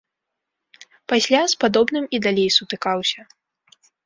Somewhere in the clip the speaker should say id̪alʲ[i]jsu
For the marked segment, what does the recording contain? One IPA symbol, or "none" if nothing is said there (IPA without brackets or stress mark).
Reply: e